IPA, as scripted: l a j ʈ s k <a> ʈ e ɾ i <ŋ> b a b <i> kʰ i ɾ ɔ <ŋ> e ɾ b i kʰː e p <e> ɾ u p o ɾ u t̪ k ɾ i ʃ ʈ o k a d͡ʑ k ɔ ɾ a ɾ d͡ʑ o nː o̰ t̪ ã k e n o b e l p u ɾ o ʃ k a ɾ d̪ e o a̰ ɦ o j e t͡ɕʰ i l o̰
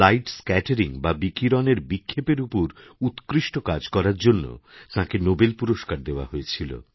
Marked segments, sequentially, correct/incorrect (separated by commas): incorrect, correct, correct, incorrect, correct